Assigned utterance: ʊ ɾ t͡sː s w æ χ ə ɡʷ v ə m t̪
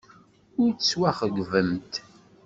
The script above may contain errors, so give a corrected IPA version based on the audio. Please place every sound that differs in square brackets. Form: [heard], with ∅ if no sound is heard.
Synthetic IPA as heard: ʊ ɾ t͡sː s w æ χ ə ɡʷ v ə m t̪